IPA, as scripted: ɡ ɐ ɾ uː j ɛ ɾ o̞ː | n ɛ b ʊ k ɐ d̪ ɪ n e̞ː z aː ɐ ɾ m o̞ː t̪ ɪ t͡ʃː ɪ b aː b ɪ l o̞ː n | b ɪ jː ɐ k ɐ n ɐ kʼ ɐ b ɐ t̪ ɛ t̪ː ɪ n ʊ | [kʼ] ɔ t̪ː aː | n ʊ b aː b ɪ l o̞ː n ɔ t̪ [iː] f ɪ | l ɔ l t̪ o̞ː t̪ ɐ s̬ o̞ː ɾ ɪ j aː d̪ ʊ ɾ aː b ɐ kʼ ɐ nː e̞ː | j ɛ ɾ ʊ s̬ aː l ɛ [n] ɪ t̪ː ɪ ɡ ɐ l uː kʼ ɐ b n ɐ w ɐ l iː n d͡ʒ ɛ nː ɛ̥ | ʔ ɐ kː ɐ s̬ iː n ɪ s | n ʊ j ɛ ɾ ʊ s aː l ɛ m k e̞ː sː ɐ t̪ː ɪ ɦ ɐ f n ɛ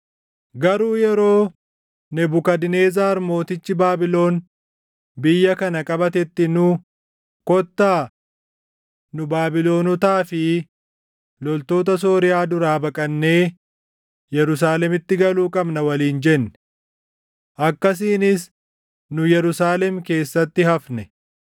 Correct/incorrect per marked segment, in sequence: incorrect: k, incorrect: aː, incorrect: m

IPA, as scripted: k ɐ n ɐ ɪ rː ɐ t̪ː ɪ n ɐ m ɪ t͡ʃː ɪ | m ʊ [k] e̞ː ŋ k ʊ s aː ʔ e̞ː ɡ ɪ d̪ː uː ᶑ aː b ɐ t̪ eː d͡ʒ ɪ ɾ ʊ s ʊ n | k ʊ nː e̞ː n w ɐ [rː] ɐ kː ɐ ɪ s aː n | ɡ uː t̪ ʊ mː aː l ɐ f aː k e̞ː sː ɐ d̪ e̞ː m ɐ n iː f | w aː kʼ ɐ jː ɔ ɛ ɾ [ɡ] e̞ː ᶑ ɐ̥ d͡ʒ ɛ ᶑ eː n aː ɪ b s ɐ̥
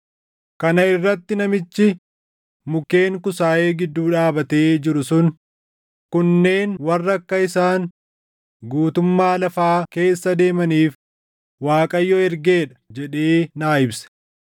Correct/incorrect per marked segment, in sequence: correct, correct, correct

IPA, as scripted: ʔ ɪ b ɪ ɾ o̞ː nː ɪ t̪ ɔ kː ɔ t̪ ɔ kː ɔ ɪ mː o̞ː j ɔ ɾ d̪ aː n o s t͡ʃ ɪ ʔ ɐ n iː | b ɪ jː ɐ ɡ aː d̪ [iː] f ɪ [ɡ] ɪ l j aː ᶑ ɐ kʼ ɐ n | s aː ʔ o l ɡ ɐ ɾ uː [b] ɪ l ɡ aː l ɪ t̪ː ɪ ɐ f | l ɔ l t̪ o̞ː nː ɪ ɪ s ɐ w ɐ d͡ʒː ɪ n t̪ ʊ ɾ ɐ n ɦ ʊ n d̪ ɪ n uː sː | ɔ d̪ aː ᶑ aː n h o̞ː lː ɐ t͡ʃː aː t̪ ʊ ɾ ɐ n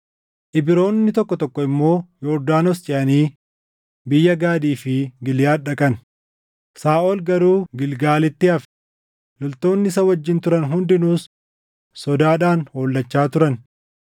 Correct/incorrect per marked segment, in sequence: correct, correct, incorrect: ɡ

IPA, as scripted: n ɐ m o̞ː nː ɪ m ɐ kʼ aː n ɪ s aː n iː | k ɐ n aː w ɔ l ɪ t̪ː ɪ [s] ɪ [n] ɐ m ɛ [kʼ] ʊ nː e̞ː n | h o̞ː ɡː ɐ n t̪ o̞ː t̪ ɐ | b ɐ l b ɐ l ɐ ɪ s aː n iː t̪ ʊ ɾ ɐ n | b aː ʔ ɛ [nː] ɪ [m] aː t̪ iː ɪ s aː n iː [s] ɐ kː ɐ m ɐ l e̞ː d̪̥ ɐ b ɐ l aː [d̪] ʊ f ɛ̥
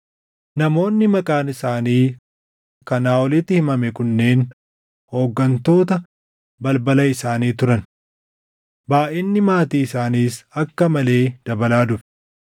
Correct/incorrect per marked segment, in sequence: incorrect: h, incorrect: m, incorrect: k, correct, correct, correct, correct

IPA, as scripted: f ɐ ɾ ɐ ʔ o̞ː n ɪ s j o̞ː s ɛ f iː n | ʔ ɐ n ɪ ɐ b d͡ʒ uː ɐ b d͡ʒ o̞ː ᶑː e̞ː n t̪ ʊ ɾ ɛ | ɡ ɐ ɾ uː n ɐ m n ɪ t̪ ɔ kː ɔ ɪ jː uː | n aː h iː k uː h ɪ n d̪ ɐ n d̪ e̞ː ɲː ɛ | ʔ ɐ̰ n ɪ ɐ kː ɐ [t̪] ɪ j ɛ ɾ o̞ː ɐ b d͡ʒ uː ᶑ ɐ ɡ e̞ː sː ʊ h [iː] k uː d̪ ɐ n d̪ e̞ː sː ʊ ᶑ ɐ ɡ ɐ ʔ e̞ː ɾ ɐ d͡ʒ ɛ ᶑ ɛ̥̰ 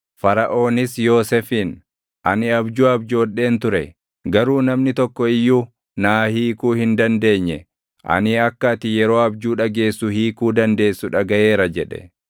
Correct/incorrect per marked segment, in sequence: correct, correct

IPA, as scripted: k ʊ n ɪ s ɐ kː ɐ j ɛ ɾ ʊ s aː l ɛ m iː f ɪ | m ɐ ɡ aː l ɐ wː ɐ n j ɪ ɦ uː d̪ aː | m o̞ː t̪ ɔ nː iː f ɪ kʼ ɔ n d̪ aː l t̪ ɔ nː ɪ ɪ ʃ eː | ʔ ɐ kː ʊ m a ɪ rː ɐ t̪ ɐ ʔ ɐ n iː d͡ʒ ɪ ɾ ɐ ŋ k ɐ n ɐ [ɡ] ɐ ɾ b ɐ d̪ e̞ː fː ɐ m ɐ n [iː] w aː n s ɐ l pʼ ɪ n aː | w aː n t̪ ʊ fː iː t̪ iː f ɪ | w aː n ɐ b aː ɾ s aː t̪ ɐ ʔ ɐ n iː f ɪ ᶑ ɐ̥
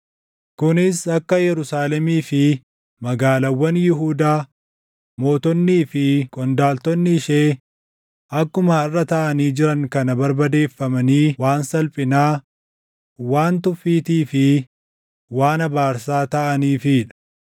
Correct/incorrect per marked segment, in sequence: incorrect: b, correct

